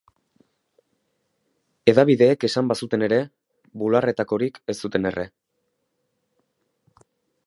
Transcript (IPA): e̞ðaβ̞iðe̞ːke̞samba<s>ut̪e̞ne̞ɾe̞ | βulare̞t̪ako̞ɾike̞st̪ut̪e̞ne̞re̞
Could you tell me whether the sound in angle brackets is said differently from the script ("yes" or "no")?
no